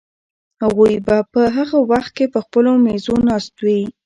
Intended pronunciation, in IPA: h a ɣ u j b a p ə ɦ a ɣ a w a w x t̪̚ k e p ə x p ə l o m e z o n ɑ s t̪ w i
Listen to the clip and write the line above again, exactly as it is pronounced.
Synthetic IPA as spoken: h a ɣ u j b a p ə ɦ a ɣ a w a x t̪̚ k e p ə x p ə l o m e z o n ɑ s t̪ w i

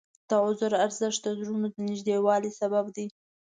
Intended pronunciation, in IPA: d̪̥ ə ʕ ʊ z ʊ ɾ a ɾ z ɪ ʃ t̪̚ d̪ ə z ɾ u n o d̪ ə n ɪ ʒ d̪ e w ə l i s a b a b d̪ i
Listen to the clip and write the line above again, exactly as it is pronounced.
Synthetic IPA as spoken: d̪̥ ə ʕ ʊ z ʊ ɾ a ɾ z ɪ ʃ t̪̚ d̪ ə z ɾ u n o d̪ ə n ɪ ʒ d̪ e w ɑ l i s a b a b d̪ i

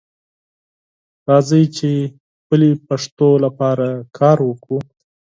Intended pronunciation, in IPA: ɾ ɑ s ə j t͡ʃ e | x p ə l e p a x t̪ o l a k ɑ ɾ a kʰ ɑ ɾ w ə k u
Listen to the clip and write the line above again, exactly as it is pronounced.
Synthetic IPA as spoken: ɾ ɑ z ə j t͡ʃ e | x p ə l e p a ʂ t̪ o l a p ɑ ɾ a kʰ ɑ ɾ w ə k u

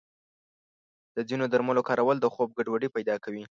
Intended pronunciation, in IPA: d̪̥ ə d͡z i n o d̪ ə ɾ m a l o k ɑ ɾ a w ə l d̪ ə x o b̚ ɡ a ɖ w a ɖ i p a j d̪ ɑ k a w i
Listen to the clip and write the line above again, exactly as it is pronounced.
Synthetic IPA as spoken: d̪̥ ə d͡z i n o d̪ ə ɾ m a l o k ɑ ɾ a w ə l d̪ ə x o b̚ ɡ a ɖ w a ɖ i p a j d̪ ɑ k a w i

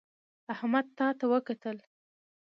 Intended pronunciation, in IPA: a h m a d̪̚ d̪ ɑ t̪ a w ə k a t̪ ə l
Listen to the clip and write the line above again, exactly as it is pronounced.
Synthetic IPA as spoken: a h m a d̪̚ t̪ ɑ t̪ a w ə k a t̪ ə l

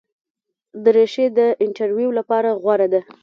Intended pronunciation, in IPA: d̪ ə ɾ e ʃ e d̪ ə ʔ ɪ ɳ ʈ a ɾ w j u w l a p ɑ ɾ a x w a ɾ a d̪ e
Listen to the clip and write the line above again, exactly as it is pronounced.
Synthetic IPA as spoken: d̪ ə ɾ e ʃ e d̪ ə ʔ ɪ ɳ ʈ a ɾ w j u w l a p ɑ ɾ a ɣ w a ɾ a d̪ a

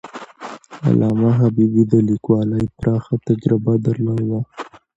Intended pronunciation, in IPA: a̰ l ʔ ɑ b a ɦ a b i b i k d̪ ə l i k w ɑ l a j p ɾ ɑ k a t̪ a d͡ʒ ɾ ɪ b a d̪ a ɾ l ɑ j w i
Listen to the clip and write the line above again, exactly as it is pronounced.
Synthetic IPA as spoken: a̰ l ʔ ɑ m a ɦ a b i b i d̪ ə l i k w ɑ l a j p ɾ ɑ x a t̪ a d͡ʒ ɾ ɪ b a d̪ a ɾ l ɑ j w a

